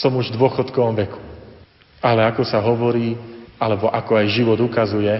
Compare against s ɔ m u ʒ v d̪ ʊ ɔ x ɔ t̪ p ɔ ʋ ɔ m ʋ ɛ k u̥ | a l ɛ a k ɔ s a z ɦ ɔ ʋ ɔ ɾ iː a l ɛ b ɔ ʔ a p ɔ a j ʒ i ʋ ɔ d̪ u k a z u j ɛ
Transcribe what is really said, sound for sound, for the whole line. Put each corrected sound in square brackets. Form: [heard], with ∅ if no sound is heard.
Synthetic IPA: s ɔ m u ʒ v d̪ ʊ ɔ x ɔ t̪ [k] ɔ ʋ ɔ m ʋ ɛ k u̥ | a l ɛ a k ɔ s a [∅] ɦ ɔ ʋ ɔ ɾ iː a l ɛ b ɔ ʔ a [k] ɔ a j ʒ i ʋ ɔ d̪ u k a z u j ɛ